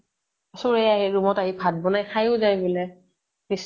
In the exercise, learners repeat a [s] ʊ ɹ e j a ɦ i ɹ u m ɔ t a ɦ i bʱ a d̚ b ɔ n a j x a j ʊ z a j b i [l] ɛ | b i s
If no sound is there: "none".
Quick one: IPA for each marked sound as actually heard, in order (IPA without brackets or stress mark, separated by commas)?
s, l